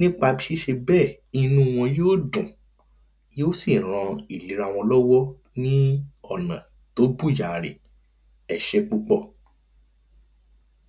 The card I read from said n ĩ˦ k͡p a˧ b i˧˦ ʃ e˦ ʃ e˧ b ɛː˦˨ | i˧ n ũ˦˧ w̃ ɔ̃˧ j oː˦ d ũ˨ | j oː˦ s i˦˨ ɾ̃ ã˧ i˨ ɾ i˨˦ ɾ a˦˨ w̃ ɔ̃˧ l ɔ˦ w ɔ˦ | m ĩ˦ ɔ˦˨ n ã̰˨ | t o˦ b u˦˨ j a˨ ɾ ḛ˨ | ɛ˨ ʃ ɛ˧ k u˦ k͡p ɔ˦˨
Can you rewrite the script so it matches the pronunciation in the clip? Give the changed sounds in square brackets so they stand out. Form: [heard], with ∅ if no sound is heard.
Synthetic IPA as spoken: n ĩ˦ k͡p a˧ b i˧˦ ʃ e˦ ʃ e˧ b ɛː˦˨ | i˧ n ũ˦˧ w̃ ɔ̃˧ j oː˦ d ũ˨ | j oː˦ s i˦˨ ɾ̃ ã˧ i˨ [l] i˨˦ ɾ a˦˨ w̃ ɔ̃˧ l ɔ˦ w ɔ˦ | [n] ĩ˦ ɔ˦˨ n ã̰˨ | t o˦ b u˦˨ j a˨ ɾ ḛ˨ | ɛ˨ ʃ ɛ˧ [k͡p] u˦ k͡p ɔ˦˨